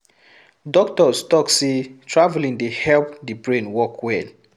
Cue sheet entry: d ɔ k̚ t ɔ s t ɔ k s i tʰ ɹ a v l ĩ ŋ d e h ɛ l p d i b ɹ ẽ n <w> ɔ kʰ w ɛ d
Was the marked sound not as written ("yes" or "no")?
no